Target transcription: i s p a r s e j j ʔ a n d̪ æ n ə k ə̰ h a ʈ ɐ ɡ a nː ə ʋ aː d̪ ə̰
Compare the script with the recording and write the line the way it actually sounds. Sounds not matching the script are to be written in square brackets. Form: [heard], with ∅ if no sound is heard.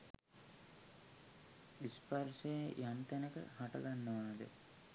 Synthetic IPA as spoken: i s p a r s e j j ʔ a n [t̪] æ n ə k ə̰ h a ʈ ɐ ɡ a nː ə ʋ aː d̪ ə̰